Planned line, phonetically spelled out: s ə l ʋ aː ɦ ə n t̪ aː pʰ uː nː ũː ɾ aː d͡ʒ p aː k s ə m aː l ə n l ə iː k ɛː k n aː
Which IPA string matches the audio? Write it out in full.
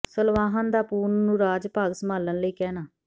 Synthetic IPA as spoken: s ə l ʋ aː ɦ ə n d̪ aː p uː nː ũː ɾ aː d͡ʒ p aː ɡ s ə m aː l ə n l ə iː k ɛː n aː